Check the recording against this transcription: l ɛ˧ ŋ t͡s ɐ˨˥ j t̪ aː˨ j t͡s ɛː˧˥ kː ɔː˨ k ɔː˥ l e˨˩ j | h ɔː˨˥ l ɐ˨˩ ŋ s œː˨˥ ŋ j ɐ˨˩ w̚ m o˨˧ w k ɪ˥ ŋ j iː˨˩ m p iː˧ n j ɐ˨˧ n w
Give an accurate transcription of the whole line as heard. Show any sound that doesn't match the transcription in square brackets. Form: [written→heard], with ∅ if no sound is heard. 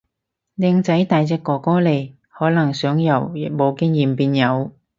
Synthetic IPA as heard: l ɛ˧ ŋ t͡s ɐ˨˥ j t̪ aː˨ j t͡s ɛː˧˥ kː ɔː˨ k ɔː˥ l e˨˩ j | h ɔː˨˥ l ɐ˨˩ ŋ s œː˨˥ ŋ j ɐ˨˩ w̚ m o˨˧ w k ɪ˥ ŋ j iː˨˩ m p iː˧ n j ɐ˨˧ [n→∅] w